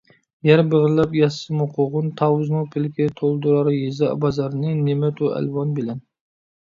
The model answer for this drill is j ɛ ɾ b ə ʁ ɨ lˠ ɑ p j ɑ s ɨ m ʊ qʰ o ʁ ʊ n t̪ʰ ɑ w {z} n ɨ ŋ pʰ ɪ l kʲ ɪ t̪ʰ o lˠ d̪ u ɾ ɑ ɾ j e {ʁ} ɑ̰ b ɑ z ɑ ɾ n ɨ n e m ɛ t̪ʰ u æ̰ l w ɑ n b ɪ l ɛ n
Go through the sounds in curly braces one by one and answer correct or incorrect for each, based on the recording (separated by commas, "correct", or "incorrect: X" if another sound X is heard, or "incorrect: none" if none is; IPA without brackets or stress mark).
correct, incorrect: z